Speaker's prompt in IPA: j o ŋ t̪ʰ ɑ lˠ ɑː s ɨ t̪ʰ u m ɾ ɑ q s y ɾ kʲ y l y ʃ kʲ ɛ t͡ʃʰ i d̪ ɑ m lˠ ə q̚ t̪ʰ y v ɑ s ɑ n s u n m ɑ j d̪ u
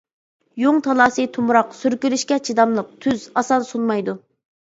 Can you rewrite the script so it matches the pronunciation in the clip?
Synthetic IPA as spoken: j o ŋ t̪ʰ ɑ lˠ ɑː s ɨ t̪ʰ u m ɾ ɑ q s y ɾ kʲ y l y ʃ kʲ ɛ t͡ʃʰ i d̪ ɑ m lˠ ə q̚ t̪ʰ y z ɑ s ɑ n s u n m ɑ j d̪ u